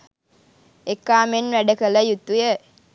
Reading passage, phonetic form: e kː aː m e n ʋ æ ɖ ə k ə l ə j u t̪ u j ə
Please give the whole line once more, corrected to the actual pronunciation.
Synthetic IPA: e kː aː m e n ʋ æ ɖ ə k ə l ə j u t̪ u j ə